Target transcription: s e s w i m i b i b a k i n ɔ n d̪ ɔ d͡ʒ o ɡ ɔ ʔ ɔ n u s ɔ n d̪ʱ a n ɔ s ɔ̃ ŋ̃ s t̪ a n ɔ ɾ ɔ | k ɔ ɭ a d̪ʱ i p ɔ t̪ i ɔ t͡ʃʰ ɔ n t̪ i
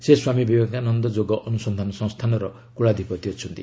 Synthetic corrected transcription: s e s w a m i b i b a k a n ɔ n d̪ ɔ d͡ʒ o ɡ ɔ ʔ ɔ n u s ɔ n d̪ʱ a n ɔ s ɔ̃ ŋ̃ s t̪ʰ a n ɔ ɾ ɔ | k u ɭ a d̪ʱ i p ɔ t̪ i ɔ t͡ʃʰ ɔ n t̪ i